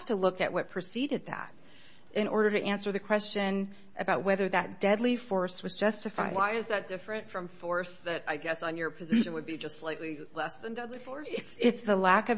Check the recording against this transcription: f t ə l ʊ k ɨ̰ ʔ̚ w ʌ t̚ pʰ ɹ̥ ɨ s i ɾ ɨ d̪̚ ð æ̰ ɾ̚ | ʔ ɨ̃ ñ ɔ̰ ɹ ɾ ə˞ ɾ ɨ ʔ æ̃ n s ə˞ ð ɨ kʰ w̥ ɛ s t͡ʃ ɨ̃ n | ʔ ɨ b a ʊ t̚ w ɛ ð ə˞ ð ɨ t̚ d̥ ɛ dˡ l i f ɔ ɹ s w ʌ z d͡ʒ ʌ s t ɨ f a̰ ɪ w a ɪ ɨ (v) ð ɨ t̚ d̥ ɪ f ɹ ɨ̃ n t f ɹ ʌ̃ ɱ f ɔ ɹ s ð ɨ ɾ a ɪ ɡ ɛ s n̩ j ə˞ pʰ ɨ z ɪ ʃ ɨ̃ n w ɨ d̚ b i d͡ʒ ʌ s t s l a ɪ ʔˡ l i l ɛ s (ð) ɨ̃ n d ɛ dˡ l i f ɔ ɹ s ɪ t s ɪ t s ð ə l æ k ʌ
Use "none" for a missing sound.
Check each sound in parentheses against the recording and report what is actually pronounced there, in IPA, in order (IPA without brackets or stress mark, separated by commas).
z, ð